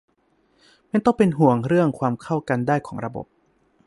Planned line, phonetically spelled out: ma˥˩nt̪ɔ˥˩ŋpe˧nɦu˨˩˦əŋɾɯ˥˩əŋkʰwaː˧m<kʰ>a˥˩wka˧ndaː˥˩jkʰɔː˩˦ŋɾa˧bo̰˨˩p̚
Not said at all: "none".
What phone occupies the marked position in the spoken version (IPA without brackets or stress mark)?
kʰ